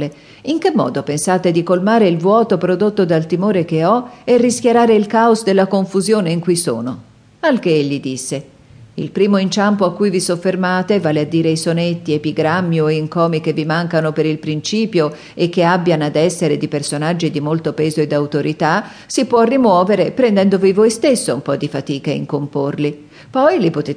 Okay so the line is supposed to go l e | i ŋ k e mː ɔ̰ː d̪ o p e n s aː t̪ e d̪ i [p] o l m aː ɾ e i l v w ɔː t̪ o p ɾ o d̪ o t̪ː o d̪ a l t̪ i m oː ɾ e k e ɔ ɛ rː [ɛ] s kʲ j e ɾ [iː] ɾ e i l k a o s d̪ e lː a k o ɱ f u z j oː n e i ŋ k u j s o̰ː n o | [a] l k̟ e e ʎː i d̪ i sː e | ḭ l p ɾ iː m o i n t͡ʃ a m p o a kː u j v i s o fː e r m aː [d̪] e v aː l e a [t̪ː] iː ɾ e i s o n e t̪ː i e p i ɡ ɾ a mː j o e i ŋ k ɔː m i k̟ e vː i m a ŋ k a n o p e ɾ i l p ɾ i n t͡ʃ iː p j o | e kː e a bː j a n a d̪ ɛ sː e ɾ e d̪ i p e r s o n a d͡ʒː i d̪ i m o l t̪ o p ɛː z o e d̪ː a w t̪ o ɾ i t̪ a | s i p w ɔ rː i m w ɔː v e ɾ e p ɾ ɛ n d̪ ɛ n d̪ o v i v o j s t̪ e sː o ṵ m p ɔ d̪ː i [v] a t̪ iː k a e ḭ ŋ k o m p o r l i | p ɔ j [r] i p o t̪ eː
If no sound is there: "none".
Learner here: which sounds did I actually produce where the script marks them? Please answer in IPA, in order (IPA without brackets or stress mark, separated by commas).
k, i, aː, a, t̪, d̪ː, f, l